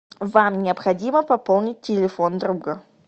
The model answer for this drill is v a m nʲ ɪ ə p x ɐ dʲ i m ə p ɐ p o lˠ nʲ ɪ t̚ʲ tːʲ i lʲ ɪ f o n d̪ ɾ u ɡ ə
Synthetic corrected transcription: v a m nʲ ɪ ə p x ɐ dʲ i m ə p ɐ p o lˠ nʲ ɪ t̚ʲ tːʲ ɪ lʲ ɪ f o n d̪ ɾ u ɡ ə